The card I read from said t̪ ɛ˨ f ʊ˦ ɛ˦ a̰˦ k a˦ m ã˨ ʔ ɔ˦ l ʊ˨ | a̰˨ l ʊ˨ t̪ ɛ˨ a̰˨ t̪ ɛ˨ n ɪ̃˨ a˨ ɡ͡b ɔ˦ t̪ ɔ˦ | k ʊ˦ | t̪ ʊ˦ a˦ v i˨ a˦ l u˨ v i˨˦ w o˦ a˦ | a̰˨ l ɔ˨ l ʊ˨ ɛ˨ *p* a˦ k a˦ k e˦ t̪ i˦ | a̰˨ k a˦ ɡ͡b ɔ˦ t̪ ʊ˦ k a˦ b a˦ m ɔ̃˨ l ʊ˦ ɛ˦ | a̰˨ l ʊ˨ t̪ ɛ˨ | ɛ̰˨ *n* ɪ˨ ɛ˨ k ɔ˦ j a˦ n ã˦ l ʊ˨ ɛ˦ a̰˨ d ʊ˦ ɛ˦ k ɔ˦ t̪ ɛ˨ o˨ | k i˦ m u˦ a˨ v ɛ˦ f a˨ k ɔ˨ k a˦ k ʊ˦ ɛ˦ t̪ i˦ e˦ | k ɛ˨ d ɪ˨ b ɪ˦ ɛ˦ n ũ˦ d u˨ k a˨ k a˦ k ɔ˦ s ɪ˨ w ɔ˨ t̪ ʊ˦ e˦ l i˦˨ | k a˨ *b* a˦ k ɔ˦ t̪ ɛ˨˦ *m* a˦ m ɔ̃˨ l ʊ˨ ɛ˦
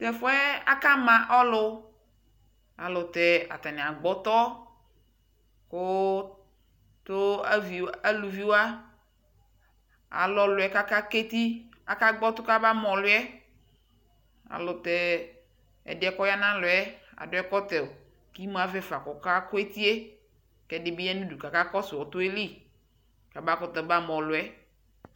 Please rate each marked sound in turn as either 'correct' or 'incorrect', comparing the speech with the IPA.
incorrect: k, incorrect: d, correct, incorrect: b

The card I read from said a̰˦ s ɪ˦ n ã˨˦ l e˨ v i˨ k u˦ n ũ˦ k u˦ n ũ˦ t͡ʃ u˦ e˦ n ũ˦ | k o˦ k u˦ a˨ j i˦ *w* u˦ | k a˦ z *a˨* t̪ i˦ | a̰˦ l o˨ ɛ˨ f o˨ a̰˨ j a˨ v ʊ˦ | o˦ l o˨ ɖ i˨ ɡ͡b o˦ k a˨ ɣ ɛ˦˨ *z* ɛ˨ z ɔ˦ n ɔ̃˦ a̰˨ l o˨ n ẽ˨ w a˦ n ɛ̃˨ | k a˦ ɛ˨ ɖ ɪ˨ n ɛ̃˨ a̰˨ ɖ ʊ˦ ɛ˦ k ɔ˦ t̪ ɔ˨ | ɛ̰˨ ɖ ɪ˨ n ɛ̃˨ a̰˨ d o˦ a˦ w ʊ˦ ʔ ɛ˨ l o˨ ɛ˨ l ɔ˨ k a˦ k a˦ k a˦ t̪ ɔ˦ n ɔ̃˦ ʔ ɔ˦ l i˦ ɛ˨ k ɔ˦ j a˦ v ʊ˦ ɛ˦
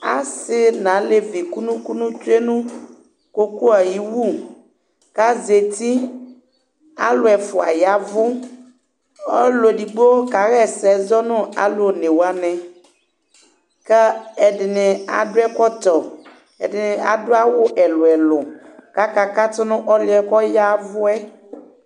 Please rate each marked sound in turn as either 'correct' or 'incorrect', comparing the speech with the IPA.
correct, incorrect: e˨, incorrect: s

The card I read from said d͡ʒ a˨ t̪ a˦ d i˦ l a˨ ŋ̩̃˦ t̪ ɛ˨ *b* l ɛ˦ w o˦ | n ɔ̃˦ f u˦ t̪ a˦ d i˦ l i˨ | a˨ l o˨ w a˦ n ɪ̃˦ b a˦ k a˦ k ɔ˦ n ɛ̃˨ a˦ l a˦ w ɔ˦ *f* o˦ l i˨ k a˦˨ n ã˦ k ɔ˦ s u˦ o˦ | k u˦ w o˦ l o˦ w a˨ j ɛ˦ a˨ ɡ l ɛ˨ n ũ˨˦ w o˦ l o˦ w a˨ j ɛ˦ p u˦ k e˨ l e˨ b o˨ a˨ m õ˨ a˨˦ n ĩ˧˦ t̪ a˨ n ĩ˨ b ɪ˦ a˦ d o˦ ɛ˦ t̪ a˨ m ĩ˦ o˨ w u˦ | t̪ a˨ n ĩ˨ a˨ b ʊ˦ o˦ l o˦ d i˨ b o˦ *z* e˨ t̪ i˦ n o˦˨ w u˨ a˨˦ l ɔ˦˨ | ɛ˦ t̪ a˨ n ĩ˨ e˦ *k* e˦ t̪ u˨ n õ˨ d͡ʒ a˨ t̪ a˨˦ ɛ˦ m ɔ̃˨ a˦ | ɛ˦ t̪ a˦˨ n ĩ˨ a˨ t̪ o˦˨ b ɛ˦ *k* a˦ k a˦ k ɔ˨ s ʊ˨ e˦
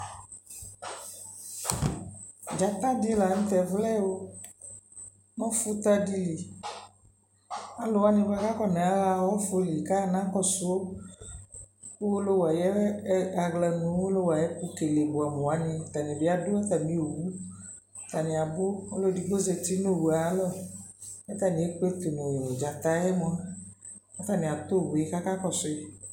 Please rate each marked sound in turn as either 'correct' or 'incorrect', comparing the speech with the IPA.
incorrect: v, correct, correct, incorrect: k͡p, correct

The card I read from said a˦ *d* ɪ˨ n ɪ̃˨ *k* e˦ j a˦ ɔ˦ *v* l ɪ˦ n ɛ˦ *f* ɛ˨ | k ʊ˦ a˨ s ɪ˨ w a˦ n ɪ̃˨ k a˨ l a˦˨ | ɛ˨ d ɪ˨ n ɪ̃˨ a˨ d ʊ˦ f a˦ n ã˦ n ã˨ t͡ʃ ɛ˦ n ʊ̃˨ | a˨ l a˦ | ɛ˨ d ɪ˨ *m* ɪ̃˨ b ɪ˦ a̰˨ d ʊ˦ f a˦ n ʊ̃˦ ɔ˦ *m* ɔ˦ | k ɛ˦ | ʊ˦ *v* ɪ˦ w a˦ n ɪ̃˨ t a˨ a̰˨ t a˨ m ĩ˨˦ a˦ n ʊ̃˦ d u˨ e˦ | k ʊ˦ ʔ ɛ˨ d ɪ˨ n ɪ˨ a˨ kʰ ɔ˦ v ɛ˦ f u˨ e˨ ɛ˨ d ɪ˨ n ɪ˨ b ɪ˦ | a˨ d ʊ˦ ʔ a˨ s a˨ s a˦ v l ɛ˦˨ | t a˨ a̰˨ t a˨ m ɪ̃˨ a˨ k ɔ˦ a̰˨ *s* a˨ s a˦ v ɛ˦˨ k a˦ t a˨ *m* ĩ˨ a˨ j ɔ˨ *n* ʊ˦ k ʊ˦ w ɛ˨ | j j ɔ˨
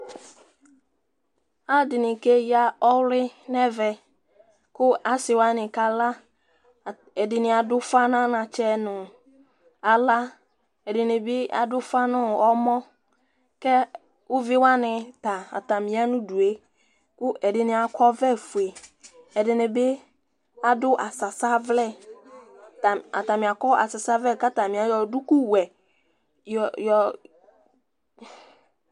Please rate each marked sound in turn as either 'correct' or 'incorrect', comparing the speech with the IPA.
correct, correct, incorrect: w, incorrect: v, incorrect: n, correct, correct, correct, correct, incorrect: d

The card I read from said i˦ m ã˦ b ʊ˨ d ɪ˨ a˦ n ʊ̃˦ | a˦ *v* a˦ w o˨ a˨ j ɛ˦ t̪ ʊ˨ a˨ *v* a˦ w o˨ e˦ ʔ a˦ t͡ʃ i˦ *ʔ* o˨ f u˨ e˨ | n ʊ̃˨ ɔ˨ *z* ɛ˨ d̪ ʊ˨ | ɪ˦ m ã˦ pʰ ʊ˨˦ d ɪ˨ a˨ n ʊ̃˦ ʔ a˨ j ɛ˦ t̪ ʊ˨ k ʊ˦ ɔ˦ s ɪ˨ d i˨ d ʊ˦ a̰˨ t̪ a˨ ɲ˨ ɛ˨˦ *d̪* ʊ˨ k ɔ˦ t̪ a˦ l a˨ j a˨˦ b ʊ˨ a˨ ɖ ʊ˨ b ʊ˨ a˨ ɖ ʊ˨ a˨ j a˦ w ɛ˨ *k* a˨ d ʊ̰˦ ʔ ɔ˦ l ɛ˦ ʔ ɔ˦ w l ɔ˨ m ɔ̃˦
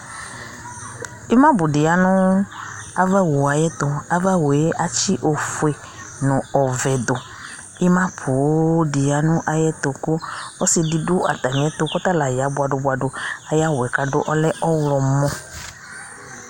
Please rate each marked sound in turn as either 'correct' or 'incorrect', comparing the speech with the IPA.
correct, correct, correct, incorrect: v, incorrect: t̪, correct

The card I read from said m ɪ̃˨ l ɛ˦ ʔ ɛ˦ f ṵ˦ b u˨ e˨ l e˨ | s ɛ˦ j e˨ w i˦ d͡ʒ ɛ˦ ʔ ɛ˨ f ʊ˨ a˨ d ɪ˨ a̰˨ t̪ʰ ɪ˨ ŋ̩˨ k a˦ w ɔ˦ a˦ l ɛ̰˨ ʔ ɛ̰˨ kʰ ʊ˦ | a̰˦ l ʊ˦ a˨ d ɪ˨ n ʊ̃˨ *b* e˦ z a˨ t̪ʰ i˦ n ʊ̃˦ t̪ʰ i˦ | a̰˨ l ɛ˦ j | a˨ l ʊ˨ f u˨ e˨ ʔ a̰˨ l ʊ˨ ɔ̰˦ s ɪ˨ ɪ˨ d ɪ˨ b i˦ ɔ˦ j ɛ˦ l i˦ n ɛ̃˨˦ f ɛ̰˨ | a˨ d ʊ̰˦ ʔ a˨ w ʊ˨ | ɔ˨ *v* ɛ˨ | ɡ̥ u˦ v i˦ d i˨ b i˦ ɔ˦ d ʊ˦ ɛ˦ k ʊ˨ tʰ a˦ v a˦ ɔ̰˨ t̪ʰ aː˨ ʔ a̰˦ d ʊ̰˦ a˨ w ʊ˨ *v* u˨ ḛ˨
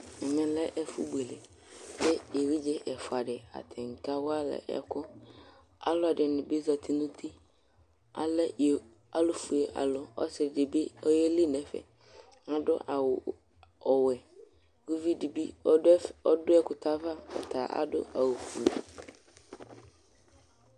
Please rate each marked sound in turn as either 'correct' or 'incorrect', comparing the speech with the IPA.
correct, incorrect: w, incorrect: f

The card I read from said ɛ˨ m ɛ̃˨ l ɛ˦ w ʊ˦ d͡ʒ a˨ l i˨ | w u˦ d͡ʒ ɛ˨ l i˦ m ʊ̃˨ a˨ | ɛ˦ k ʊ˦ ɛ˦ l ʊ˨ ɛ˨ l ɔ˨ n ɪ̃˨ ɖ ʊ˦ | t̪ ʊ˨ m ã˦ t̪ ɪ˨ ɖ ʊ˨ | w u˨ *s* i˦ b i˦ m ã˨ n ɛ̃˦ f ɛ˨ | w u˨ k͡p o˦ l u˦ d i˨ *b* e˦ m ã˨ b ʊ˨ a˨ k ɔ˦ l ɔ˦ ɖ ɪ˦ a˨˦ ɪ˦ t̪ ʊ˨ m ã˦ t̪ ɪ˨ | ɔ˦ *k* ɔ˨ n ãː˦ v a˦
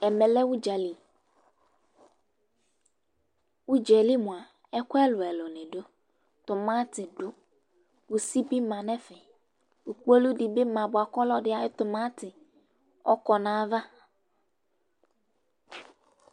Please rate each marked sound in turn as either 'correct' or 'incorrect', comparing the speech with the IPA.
correct, correct, correct

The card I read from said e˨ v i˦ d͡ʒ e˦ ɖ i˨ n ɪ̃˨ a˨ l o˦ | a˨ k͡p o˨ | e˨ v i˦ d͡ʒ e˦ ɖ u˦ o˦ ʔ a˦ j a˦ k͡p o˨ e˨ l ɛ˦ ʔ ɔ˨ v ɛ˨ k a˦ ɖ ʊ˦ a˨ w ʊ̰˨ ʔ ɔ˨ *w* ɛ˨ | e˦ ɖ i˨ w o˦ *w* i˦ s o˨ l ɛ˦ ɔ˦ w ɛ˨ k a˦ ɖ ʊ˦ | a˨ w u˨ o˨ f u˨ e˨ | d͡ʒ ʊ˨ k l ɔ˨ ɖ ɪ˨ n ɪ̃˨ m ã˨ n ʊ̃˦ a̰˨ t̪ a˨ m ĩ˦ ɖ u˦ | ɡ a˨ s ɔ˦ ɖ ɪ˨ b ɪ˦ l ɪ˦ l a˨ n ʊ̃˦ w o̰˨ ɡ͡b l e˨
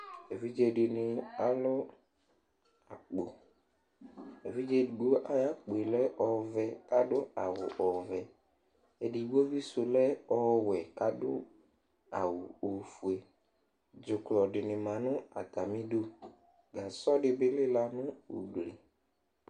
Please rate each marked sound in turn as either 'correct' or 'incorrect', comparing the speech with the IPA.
incorrect: v, incorrect: v

